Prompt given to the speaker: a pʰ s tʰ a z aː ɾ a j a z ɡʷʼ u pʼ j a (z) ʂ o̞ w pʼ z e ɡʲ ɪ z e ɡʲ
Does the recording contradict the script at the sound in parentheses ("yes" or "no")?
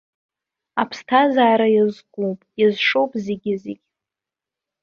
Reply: no